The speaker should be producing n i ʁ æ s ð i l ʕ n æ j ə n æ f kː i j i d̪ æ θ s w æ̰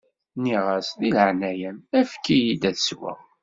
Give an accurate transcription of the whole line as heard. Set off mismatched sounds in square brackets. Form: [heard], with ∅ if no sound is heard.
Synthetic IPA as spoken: n i ʁ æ s ð i l ʕ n æ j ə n æ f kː i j i d̪ æ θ s w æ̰